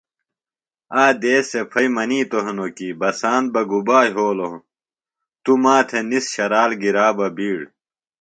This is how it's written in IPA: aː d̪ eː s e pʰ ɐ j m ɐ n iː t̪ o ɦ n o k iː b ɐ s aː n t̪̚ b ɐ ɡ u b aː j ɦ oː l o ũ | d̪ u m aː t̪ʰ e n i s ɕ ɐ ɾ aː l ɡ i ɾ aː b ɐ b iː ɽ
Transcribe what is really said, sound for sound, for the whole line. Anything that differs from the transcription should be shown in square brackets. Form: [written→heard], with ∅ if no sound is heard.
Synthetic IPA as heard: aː d̪ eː s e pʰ ɐ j m ɐ n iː t̪ o ɦ n o k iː b ɐ s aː n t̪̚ b ɐ ɡ u b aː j ɦ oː l o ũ | [d̪→t̪] u m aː t̪ʰ e n i s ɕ ɐ ɾ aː l ɡ i ɾ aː b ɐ b iː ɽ